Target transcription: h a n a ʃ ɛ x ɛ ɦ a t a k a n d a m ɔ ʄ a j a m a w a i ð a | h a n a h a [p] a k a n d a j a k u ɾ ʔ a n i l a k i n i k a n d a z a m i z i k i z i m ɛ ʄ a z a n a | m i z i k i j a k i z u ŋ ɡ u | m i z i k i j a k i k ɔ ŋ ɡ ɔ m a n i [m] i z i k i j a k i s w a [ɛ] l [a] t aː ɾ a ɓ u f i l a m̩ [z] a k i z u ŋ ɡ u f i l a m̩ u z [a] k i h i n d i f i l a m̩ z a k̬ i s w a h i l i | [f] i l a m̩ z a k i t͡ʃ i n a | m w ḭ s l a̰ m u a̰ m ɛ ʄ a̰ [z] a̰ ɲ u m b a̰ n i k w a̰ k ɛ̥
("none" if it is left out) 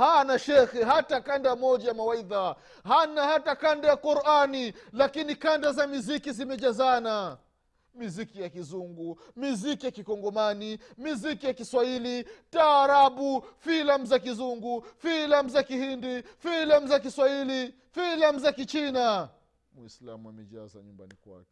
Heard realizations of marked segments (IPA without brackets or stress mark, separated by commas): t, m, i, i, z, a, f, z